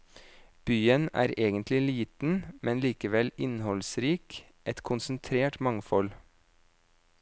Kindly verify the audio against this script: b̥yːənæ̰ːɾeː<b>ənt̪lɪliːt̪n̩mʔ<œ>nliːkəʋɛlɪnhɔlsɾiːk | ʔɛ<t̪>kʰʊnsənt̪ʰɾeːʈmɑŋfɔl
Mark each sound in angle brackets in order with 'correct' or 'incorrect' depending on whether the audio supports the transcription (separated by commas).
incorrect, incorrect, correct